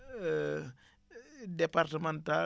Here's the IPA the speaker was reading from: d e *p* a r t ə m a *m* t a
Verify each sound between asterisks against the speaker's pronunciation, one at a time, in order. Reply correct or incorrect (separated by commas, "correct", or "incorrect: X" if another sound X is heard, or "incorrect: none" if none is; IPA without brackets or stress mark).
correct, incorrect: n